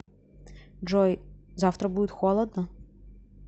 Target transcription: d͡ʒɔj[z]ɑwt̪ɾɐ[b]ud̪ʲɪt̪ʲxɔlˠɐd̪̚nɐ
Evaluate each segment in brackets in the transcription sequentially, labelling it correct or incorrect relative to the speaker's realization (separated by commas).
correct, correct